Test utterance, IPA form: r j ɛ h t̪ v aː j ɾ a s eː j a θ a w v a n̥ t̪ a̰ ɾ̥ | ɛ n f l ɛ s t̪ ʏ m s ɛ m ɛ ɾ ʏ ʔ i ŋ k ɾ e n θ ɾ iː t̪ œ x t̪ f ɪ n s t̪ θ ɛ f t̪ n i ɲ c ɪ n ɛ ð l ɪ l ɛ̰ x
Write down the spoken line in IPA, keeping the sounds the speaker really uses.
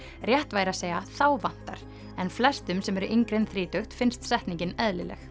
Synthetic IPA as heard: r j ɛ h t̪ v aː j ɾ a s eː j a θ a w v a n̥ t̪ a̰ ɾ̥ | ɛ n f l ɛ s t̪ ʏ m s ɛ m ɛ ɾ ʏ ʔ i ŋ k ɾ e n θ ɾ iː t̪ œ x t̪ f ɪ n s t̪ s ɛ h t̪ n i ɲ c ɪ n ɛ ð l ɪ l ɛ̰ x